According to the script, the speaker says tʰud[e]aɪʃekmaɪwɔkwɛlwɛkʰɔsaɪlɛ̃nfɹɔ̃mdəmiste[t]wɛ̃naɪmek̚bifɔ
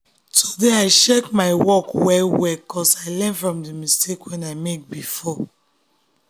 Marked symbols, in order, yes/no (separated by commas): yes, no